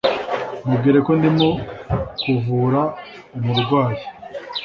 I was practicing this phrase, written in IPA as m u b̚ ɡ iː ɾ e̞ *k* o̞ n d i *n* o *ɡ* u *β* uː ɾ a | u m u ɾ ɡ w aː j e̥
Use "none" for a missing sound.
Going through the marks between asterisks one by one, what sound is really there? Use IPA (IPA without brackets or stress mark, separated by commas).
k, m, k, v